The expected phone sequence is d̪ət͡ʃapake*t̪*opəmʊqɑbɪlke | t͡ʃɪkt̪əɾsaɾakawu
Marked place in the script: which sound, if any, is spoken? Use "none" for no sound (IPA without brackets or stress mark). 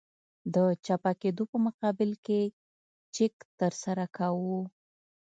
d̪